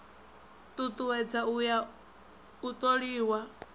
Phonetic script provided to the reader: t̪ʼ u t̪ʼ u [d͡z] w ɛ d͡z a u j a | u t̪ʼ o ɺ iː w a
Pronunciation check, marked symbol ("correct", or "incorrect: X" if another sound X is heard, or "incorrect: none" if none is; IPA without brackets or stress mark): incorrect: none